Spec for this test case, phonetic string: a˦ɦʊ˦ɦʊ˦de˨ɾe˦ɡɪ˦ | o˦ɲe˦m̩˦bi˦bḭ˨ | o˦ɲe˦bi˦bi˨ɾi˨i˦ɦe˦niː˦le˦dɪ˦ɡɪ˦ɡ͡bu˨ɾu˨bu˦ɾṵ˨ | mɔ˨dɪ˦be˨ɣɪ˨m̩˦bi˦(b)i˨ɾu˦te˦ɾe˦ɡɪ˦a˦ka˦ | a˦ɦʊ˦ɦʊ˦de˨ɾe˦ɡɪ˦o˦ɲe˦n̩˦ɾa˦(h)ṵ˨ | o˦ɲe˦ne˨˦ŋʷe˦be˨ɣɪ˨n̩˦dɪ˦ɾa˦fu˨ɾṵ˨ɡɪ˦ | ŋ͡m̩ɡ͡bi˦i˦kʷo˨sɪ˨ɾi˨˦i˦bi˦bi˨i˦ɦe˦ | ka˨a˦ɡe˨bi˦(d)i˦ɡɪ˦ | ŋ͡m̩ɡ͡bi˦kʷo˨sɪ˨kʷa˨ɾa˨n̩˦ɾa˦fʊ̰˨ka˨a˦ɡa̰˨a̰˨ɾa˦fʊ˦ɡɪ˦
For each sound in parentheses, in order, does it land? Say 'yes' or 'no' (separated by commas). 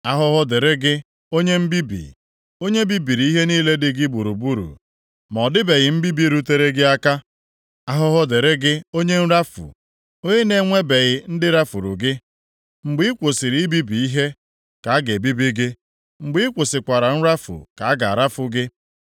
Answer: yes, no, no